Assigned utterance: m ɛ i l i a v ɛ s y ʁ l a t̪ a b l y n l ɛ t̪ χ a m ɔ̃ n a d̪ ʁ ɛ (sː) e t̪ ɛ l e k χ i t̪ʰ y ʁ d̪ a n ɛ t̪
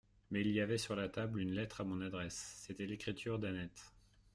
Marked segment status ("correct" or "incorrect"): correct